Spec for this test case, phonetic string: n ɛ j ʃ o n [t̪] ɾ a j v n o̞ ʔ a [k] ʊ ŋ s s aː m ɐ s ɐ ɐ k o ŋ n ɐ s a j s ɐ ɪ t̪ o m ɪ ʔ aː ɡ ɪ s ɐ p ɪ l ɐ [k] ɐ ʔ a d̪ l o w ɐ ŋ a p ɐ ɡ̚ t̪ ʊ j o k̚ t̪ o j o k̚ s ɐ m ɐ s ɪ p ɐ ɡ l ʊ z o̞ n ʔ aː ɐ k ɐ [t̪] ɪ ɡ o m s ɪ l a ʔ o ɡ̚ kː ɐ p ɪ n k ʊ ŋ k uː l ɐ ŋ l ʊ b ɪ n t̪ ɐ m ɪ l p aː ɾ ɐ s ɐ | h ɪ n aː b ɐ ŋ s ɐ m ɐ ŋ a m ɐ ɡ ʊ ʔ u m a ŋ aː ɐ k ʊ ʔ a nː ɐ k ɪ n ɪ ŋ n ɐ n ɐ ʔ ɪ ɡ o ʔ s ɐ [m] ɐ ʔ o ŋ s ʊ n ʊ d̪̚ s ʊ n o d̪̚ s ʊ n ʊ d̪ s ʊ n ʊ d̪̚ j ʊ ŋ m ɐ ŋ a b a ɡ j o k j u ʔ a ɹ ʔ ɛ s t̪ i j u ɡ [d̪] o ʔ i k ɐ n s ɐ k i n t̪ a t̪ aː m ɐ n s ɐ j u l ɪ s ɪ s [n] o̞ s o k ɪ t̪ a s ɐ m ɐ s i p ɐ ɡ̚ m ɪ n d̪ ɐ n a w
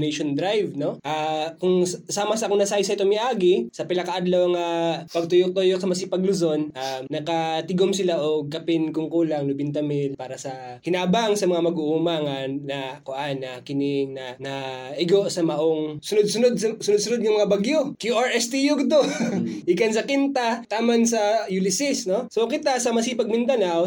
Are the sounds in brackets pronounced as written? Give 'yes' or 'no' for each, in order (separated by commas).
no, yes, yes, yes, yes, yes, yes